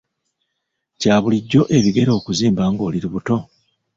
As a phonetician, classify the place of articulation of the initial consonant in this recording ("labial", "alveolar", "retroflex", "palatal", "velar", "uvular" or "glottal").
palatal